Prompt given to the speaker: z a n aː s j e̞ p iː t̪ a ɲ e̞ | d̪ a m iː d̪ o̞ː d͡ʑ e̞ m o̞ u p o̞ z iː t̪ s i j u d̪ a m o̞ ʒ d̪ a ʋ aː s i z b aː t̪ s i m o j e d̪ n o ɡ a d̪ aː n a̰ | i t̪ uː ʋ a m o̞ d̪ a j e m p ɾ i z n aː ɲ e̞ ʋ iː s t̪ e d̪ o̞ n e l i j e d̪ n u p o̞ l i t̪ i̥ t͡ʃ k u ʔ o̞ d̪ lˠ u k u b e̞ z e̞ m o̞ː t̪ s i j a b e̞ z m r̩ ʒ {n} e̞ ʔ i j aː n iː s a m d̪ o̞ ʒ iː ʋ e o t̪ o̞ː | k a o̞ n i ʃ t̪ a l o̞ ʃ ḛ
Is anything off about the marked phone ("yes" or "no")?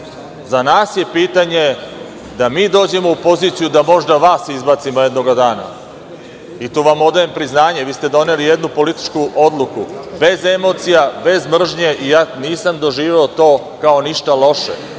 yes